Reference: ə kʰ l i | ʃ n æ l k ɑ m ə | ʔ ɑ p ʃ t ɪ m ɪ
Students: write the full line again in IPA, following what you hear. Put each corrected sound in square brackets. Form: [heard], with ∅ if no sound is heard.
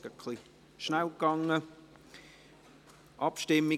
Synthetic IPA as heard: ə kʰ l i | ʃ n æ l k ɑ [ŋ] ə | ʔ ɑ p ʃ t ɪ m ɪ